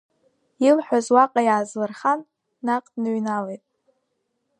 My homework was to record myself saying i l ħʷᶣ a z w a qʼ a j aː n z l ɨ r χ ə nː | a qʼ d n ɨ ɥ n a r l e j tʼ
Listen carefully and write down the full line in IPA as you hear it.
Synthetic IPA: i l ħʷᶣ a z w a qʼ a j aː z l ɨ r χ a nː | a qʼ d n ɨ ɥ n a l e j tʼ